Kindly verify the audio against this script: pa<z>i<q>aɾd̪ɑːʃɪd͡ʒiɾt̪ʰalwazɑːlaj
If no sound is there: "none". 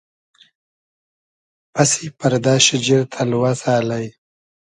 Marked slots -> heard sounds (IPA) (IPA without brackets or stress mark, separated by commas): s, p